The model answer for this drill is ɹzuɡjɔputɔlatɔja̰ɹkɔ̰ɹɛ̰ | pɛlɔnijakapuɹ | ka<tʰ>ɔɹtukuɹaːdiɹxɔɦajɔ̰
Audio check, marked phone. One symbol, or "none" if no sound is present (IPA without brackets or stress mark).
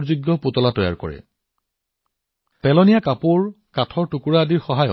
tʰ